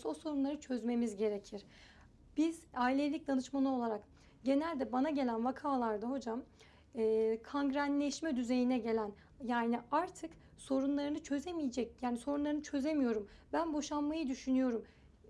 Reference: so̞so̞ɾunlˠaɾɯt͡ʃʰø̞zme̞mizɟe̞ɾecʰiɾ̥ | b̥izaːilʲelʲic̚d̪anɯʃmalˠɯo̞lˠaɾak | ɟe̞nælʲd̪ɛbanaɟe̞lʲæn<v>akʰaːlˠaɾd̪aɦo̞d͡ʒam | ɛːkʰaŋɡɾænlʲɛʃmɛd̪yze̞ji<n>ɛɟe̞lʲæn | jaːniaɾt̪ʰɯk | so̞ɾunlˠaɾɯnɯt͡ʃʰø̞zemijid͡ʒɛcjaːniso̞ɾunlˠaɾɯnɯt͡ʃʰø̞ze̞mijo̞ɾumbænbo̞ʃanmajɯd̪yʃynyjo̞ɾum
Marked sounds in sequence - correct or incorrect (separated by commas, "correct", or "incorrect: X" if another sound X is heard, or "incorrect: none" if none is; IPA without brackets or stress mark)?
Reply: correct, correct